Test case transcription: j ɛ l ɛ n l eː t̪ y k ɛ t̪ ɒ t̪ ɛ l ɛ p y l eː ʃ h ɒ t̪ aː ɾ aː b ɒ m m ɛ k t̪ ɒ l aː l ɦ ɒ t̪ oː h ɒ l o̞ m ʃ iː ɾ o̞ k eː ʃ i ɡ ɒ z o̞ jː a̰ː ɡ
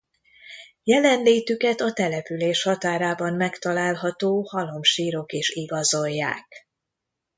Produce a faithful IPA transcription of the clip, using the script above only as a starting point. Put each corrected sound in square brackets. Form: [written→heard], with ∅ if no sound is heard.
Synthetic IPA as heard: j ɛ l ɛ n l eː t̪ y k ɛ t̪ ɒ t̪ ɛ l ɛ p y l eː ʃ h ɒ t̪ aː ɾ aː b ɒ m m ɛ k t̪ ɒ l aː l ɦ ɒ t̪ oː h ɒ l o̞ m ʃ iː ɾ o̞ k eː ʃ i ɡ ɒ z o̞ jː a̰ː [ɡ→k]